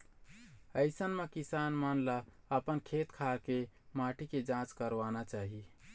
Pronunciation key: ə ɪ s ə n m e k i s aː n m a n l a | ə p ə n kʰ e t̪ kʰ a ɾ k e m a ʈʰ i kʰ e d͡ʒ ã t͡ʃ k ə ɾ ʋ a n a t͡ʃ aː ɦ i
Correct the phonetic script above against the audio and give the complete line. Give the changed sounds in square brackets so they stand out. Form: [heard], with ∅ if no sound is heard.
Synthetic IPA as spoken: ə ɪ s ə n m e k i s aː n m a n l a | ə p ə n kʰ e t̪ kʰ a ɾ k e m a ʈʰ i [k] e d͡ʒ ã t͡ʃ k ə ɾ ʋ a n a t͡ʃ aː ɦ i